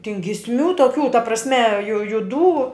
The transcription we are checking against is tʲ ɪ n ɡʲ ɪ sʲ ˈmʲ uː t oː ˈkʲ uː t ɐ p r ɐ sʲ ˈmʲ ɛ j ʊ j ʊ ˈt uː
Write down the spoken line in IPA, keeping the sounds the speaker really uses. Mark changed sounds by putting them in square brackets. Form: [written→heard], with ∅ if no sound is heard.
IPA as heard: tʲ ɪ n ɡʲ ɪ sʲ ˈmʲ uː t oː ˈkʲ uː t ɐ p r ɐ sʲ ˈmʲ ɛ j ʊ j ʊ [ˈt→ˈd] uː